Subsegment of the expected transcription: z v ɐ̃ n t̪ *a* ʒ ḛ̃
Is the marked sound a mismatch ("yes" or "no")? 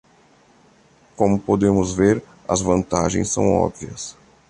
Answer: no